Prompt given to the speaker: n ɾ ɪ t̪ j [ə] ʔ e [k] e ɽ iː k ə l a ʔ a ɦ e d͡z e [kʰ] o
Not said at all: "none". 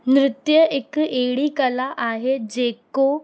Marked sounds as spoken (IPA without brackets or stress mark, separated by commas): ə, k, k